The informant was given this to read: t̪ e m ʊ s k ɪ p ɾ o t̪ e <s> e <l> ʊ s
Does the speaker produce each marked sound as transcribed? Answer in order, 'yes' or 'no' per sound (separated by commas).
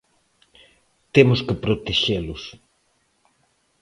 no, yes